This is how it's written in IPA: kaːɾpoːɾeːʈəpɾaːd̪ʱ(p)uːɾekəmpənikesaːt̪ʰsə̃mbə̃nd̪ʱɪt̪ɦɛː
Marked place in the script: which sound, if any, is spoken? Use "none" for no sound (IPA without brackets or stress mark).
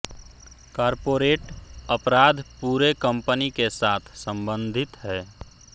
p